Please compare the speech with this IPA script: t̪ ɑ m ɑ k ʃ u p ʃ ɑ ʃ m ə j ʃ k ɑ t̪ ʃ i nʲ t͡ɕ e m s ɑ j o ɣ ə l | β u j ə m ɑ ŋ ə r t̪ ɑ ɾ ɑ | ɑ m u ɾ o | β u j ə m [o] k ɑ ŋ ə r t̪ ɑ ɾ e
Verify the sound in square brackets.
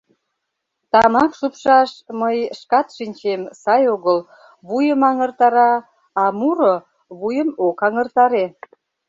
correct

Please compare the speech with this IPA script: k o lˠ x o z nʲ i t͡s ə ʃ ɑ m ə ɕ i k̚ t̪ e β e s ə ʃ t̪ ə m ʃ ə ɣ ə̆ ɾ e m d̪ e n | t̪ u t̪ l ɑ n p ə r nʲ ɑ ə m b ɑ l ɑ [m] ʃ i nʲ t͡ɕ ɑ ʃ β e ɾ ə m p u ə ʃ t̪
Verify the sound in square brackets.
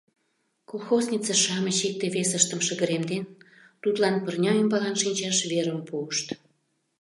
incorrect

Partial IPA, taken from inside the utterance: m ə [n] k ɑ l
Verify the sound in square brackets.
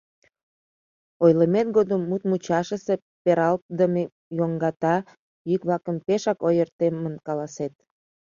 correct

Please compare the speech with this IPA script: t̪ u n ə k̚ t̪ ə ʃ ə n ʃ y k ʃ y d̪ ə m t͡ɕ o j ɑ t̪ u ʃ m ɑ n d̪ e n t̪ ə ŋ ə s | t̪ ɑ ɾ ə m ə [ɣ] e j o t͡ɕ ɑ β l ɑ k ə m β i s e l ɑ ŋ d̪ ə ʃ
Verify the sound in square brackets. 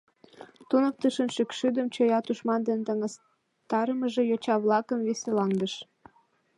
incorrect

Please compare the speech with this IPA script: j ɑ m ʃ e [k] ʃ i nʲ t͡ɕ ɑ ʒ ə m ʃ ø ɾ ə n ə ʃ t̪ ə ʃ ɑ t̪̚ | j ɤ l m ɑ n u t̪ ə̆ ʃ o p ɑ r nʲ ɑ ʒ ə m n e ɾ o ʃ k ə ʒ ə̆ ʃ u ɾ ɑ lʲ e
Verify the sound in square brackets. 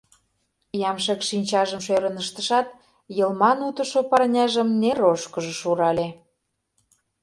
correct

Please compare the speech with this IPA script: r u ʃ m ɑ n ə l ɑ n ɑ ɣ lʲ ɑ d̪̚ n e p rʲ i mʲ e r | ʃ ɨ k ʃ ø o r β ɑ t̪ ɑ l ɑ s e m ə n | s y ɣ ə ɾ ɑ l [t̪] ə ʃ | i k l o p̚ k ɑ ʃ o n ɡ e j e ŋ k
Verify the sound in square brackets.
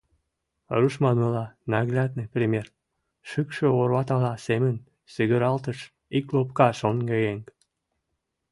correct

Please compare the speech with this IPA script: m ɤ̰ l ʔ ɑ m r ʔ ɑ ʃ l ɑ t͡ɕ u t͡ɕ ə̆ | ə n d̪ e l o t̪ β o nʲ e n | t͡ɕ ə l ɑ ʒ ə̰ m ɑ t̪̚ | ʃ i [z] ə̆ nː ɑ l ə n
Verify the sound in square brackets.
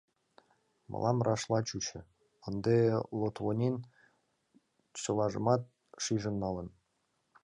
incorrect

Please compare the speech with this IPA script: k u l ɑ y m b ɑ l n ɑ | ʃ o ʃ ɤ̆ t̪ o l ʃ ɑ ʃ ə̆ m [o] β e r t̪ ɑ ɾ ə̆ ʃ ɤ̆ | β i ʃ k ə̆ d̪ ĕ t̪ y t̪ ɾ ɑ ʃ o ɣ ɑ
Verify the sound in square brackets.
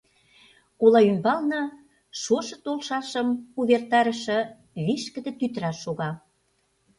incorrect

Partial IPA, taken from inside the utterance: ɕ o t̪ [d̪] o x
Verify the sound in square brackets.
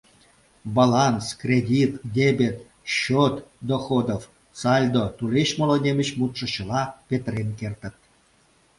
correct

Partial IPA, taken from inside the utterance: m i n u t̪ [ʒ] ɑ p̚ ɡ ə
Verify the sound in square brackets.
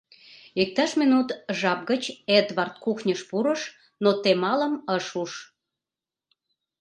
correct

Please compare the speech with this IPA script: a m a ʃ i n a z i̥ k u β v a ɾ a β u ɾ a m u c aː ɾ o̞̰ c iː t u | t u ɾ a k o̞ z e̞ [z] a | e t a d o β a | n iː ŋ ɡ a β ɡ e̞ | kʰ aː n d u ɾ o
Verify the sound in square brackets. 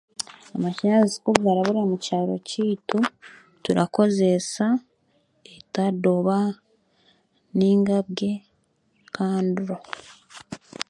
incorrect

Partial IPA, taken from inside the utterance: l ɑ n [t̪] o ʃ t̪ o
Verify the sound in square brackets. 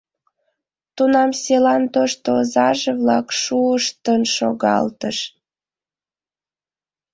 correct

